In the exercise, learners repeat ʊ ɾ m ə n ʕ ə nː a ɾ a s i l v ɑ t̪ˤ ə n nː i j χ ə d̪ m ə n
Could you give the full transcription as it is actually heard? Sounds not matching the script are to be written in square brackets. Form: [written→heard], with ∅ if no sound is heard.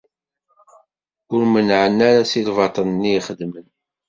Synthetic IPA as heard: ʊ ɾ m ə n ʕ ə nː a ɾ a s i l v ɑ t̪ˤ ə n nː i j χ ə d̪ m ə n

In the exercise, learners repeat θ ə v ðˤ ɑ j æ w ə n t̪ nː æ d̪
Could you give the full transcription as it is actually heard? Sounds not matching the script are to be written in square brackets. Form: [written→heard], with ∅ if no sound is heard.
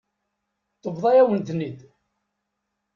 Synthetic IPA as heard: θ ə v ðˤ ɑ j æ w ə n t̪ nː [æ→i] d̪

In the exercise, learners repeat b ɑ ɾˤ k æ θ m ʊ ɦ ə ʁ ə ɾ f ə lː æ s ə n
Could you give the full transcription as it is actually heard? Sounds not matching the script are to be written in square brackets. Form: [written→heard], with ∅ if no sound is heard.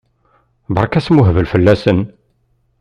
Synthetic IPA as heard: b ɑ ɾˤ k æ [θ→s] m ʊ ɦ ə [ʁ→v] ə [ɾ→l] f ə lː æ s ə n

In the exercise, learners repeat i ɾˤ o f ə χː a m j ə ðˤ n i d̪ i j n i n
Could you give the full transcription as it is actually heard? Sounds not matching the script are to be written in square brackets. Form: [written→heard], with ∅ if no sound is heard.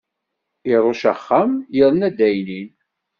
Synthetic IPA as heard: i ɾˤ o [f→ʃ] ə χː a m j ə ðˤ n [i→æ] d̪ [i→æ] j n i n

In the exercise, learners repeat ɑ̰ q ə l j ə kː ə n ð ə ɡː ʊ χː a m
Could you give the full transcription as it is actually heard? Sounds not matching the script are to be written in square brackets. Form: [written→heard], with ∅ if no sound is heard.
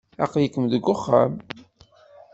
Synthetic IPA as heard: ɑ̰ q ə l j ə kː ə [n→m] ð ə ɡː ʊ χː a m

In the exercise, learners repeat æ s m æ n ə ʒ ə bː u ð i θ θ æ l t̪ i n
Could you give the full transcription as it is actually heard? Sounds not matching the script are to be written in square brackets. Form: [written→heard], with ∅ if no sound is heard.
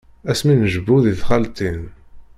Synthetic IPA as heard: æ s m [æ→i] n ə ʒ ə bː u ð i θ [θ→χ] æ l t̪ i n

